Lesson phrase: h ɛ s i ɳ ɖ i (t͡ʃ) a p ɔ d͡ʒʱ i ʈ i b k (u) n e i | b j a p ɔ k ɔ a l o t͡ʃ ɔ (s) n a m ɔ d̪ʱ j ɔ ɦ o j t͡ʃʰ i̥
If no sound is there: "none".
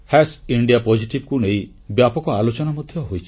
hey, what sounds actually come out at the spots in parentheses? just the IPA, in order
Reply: none, u, none

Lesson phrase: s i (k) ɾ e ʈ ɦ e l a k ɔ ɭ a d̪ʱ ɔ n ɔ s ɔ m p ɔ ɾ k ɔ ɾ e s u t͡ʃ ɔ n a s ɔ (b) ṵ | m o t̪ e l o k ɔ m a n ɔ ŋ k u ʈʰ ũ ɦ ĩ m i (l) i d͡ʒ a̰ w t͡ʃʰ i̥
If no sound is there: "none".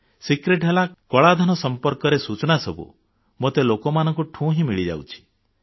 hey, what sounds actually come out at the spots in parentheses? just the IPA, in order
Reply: k, b, ɭ

